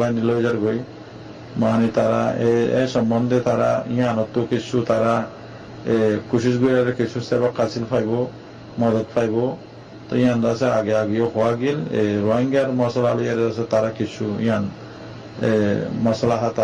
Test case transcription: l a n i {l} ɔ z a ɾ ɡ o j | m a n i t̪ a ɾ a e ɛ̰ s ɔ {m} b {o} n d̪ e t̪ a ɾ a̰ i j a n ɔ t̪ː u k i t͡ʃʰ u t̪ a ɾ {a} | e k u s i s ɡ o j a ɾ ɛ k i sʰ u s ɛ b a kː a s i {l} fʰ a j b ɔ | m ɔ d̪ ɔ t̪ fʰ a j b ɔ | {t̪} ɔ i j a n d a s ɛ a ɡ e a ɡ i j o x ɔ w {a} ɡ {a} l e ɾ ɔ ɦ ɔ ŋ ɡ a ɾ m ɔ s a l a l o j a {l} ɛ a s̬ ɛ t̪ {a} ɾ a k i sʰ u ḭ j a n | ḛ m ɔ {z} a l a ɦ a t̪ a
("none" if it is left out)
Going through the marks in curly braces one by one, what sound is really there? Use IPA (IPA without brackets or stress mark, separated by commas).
l, m, ɔ, a, l, t̪, a, i, ɾ, a, s